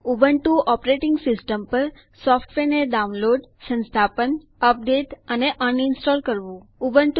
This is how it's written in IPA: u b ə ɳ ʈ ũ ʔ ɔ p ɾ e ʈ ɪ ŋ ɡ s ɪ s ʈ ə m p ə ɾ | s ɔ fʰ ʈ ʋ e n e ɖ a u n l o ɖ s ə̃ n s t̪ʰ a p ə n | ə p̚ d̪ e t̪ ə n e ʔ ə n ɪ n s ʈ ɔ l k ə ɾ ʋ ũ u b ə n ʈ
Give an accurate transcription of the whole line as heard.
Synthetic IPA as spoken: u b ə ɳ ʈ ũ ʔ ɔ p ɾ e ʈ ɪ ŋ ɡ s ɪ s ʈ ə m p ə ɾ | s ɔ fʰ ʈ ʋ e n e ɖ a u n l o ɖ s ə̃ n s t̪ʰ a p ə n | ə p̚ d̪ e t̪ ə n e ʔ ə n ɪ n s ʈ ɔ l k ə ɾ ʋ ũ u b ə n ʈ

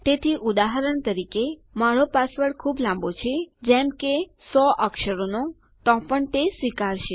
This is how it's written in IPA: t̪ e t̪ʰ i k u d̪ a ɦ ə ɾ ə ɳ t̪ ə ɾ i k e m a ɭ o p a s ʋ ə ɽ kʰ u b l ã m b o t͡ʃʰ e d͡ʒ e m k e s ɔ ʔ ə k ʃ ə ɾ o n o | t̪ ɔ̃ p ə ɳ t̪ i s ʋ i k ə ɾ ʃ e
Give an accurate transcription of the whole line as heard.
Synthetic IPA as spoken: t̪ e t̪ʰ i ʔ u d̪ a ɦ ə ɾ ə ɳ t̪ ə ɾ i k e m a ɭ o p a s ʋ ə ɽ kʰ u b l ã m b o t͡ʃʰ e d͡ʒ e m k e s ɔ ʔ ə k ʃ ə ɾ o n o | t̪ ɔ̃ p ə ɳ t̪ e s ʋ i k a ɾ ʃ e

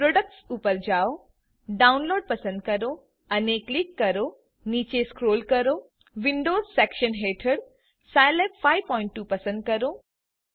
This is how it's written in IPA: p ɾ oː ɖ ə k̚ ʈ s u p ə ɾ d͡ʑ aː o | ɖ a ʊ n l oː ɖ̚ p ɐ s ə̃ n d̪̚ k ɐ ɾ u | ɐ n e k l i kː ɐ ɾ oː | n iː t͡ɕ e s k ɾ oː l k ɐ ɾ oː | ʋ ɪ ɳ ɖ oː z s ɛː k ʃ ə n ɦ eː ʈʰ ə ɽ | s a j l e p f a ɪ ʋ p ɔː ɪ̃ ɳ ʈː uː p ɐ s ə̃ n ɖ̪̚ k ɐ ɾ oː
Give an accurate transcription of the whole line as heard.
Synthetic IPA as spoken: p ɾ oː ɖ ə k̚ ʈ s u p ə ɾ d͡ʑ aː o | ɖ a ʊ n l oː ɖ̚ p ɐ s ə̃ n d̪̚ k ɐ ɾ o | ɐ n e k l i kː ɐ ɾ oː | n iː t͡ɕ e s k ɾ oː l k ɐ ɾ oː | ʋ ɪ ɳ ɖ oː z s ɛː k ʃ ə n ɦ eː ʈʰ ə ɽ | s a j l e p f a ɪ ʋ p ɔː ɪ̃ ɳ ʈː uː p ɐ s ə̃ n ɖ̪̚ k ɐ ɾ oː

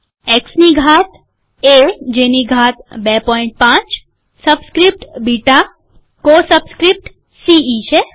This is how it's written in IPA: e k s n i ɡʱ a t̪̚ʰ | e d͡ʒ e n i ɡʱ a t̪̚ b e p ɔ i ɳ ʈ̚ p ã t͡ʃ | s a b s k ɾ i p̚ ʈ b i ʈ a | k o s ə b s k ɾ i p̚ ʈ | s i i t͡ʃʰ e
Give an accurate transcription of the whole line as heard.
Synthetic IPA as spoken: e k s n i ɡʱ a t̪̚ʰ | e d͡ʒ e n i ɡʱ a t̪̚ b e p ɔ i ɳ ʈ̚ p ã t͡ʃ | s ə b s k ɾ i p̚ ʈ b i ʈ a | k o s ə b s k ɾ i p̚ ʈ | s i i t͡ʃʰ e

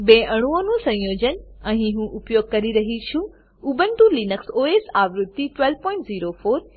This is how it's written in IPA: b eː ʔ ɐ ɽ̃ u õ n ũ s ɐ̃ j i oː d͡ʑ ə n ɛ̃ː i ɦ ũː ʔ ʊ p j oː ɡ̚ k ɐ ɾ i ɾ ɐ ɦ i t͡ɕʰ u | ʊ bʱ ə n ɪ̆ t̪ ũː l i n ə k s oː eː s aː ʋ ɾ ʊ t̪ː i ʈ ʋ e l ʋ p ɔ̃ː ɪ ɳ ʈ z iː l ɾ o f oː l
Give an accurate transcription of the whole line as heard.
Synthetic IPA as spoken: b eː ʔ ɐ ɽ̃ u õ n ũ s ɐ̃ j j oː d͡ʑ ə n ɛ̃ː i ɦ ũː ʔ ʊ p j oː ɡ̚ k ɐ ɾ i ɾ ɐ ɦ i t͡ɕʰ u | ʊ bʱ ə n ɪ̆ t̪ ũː l i n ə k s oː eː s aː ʋ ɾ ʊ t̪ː i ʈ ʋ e l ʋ p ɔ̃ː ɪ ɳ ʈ z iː ɾ o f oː ɾ

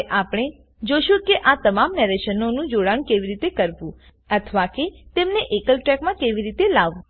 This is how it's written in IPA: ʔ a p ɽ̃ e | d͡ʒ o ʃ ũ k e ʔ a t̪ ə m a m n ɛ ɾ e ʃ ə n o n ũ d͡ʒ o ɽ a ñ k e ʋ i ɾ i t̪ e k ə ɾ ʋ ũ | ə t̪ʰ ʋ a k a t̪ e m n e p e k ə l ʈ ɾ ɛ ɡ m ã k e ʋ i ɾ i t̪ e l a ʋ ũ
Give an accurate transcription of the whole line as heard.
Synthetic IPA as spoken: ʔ a p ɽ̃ e | d͡ʒ o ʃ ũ k e ʔ a t̪ ə m a m n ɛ ɾ e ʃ ə n o n ũ d͡ʒ o ɽ a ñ k e ʋ i ɾ i t̪ e k ə ɾ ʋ ũ | ə t̪ʰ ʋ a k e t̪ e m n e ʔ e k ə l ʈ ɾ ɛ k m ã k e ʋ i ɾ i t̪ e l a ʋ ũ

